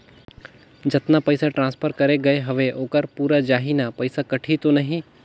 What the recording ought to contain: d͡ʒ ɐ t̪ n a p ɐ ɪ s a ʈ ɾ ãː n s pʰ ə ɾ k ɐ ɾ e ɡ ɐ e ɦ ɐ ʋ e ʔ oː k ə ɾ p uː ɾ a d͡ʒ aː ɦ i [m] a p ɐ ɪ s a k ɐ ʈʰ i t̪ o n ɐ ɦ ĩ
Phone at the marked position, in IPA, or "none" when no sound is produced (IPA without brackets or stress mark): n